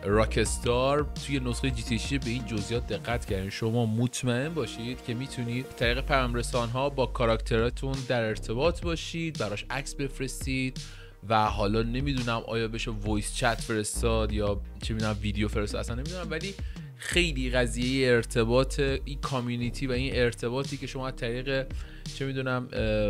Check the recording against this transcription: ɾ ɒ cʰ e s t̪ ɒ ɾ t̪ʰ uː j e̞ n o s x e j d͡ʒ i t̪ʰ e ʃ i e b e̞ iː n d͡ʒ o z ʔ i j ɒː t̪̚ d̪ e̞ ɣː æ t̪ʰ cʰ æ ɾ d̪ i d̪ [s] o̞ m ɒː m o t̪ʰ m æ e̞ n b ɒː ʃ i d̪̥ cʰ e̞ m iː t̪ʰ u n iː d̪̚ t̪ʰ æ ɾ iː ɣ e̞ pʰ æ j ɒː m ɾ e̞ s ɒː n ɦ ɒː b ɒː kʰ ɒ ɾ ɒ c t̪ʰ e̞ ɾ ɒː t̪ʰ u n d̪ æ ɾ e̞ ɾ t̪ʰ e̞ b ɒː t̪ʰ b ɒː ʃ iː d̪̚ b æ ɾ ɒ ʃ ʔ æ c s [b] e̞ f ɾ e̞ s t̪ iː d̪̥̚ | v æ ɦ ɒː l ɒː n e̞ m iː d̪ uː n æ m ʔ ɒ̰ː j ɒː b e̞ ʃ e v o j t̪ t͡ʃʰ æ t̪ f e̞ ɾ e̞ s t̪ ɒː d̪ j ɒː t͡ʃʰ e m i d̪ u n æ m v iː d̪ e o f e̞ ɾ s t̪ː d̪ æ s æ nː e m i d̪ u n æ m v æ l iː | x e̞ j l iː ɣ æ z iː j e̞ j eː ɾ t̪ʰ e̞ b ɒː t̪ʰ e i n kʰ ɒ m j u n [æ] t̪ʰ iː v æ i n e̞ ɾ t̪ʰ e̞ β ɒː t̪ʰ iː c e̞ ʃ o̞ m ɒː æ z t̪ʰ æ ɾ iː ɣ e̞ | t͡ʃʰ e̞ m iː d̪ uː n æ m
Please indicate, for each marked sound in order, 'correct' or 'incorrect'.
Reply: incorrect: ʃ, correct, incorrect: i

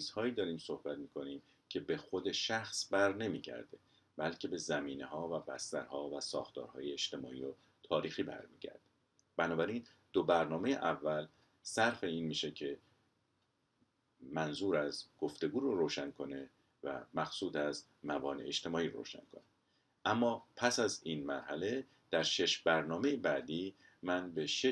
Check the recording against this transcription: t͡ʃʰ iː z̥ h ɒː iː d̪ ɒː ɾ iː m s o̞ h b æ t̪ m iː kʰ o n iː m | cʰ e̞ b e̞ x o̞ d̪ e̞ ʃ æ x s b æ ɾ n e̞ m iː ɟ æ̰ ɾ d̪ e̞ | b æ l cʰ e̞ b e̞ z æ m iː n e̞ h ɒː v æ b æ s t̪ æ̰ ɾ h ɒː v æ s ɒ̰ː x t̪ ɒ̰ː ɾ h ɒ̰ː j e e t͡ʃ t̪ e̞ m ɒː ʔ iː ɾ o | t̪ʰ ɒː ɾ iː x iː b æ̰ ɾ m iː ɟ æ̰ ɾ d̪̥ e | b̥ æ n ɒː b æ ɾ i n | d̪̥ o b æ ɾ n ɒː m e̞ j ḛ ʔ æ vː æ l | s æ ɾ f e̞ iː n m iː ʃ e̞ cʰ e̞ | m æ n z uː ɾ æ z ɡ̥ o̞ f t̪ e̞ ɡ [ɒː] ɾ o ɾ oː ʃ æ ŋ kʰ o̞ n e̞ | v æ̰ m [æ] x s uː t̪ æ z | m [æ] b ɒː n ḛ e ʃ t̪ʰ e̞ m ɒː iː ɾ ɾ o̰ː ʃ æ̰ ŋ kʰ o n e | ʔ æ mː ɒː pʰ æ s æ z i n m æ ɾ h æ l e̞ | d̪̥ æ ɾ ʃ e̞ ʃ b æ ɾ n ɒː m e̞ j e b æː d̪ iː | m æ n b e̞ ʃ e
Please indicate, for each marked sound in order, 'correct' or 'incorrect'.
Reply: incorrect: uː, correct, correct

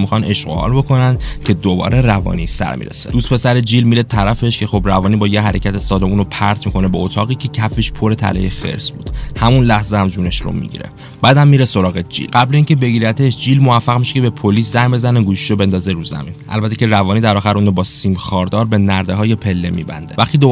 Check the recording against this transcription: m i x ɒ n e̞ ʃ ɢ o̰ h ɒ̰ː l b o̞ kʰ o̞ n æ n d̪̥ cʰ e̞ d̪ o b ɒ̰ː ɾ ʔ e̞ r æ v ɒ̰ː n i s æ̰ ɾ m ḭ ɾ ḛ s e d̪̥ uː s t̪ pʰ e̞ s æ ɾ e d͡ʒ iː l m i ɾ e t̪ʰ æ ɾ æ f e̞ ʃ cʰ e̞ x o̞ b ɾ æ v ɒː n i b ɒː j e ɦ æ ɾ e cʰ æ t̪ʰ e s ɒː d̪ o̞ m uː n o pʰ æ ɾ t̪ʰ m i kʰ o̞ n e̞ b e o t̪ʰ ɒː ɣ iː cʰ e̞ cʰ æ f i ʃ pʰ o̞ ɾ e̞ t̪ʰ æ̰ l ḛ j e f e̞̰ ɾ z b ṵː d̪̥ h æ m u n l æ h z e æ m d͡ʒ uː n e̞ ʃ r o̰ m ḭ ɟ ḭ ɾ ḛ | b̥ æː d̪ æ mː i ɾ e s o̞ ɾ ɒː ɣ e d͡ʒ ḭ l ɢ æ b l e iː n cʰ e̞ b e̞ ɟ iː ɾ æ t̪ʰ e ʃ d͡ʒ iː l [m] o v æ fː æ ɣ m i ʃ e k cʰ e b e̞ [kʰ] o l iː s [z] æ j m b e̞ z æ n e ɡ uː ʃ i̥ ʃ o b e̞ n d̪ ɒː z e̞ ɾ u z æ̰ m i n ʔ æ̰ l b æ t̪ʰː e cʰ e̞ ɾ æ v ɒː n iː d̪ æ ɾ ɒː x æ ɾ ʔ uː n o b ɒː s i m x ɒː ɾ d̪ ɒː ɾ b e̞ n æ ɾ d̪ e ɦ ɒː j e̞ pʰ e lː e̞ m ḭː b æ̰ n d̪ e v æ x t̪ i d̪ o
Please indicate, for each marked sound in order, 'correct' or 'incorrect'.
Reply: correct, incorrect: pʰ, correct

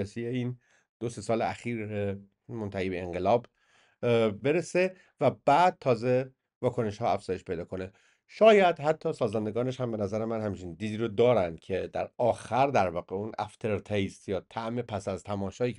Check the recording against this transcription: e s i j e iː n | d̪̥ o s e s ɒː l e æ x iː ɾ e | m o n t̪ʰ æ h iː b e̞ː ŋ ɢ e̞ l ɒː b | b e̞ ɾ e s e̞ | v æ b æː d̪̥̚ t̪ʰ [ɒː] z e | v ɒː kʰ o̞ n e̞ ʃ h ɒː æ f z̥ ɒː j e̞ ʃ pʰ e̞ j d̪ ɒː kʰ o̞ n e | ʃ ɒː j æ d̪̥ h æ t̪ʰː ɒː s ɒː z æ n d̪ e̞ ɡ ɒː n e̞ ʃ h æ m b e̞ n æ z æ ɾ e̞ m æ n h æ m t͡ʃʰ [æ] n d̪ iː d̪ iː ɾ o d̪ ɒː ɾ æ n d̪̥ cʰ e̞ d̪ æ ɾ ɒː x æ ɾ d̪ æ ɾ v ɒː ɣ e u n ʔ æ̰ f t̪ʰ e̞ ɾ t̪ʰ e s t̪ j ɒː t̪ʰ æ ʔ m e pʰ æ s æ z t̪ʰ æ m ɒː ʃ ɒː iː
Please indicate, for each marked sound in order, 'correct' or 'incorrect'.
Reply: correct, incorrect: i

